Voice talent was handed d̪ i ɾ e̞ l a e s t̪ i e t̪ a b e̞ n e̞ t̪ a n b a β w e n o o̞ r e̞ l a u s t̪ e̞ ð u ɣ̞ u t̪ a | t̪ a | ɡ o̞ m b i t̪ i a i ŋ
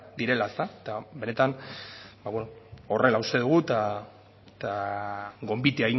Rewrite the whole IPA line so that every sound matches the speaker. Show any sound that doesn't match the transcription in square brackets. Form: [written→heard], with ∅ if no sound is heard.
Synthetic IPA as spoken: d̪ i ɾ e̞ l a e s t̪ [i→a] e t̪ a b e̞ n e̞ t̪ a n b a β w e n o o̞ r e̞ l a u s t̪ e̞ ð u ɣ̞ u t̪ a | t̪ a | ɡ o̞ m b i t̪ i a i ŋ